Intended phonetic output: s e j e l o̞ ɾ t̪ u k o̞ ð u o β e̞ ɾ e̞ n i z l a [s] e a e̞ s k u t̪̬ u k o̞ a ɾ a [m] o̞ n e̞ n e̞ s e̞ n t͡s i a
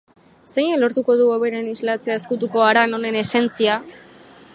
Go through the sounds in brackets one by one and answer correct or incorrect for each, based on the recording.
incorrect: t͡s, incorrect: n

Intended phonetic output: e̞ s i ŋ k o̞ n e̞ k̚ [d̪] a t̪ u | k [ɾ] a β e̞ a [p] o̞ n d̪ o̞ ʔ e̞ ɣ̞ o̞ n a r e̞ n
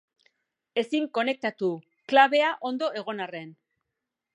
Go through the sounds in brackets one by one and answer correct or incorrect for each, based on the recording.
incorrect: t̪, incorrect: l, incorrect: ʔ

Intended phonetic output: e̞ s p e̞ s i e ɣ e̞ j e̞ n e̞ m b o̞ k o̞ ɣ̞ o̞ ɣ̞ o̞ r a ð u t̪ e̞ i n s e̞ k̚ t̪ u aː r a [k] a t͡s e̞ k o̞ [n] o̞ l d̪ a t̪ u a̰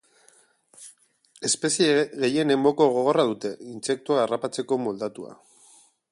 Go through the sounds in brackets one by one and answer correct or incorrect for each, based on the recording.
incorrect: p, incorrect: m

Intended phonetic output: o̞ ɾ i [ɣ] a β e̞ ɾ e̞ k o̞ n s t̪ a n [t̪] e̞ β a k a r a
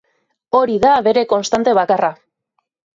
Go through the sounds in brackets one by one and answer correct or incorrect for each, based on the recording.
incorrect: ð, correct

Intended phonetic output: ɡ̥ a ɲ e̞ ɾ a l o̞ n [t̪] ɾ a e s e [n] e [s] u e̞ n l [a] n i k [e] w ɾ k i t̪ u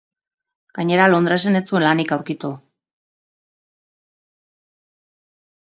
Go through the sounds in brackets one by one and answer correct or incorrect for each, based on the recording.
incorrect: d̪, correct, incorrect: t͡s, correct, incorrect: a

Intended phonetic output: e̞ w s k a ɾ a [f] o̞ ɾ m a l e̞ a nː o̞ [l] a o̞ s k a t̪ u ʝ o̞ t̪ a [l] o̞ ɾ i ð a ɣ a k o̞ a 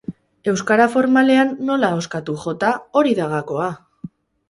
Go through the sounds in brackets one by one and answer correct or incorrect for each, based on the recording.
correct, correct, incorrect: none

